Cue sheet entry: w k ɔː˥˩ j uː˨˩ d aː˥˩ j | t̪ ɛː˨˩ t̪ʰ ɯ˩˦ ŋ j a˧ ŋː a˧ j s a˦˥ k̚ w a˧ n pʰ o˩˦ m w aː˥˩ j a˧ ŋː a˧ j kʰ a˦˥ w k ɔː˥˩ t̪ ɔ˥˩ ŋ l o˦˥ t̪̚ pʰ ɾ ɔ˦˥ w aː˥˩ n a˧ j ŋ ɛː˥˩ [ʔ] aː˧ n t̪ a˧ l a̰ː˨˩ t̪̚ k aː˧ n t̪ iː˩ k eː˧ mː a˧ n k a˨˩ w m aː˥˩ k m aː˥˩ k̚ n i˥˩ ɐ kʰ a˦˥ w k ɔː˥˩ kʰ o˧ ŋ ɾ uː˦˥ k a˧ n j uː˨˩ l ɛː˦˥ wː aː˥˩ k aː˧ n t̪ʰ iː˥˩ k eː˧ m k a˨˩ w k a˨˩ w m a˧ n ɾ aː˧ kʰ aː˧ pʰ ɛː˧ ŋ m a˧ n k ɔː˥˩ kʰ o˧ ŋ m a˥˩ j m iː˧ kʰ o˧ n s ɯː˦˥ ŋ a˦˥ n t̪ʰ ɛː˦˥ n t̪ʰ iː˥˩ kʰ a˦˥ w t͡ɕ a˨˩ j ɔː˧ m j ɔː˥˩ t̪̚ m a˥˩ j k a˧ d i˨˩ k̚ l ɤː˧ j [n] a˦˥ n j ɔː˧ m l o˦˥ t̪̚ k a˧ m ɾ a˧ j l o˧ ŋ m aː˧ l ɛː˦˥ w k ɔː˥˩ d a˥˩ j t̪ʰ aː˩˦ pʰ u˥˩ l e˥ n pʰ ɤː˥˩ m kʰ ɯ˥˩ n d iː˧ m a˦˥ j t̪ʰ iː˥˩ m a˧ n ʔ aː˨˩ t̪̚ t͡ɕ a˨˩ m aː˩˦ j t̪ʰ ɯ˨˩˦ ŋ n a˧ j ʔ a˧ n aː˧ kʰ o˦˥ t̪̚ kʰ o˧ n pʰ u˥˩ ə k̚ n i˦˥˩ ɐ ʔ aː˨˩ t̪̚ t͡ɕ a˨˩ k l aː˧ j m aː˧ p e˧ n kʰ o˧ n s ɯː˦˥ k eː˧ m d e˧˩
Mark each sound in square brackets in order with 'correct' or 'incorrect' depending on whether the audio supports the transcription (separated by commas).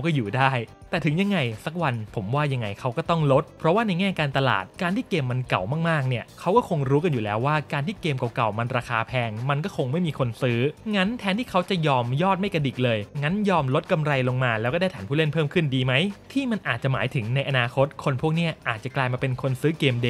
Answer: incorrect, incorrect